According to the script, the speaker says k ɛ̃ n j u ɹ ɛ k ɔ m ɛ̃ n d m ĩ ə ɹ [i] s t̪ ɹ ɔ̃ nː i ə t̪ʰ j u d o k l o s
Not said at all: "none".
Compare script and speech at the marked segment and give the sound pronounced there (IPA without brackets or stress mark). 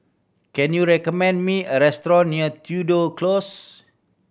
ɛ